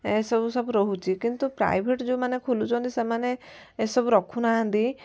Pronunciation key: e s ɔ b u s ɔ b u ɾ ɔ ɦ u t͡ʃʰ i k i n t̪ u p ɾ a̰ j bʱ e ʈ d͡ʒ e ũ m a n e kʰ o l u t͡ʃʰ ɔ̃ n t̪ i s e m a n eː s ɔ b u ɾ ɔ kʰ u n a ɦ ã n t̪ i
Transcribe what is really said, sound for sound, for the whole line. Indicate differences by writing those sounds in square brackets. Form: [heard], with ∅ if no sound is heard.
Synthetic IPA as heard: e s ɔ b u s ɔ b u ɾ ɔ ɦ u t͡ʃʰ i k i n t̪ u p ɾ a̰ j bʱ e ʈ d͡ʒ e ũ m a n e kʰ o l u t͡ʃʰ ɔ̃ n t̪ i s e m a n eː s ɔ b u ɾ ɔ kʰ u n a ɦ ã n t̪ i